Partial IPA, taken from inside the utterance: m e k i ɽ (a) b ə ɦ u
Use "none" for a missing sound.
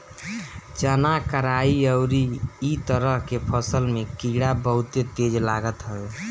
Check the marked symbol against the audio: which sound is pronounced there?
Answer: a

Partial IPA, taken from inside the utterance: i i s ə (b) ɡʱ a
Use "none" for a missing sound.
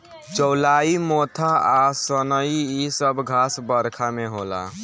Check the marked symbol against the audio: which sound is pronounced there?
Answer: b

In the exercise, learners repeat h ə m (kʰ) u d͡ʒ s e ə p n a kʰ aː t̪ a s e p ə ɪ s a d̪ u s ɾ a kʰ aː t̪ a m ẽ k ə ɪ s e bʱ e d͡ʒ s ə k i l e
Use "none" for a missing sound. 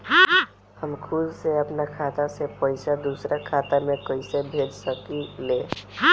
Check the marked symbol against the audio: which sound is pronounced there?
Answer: kʰ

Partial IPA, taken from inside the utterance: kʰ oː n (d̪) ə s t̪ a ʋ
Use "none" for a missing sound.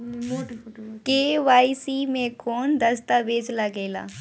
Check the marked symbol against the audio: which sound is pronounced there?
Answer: d̪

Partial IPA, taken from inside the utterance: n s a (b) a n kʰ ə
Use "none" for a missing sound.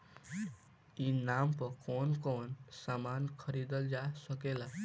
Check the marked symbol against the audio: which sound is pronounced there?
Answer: m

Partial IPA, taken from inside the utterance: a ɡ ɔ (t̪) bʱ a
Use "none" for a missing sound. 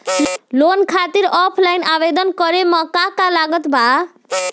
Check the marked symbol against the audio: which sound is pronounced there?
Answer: t̪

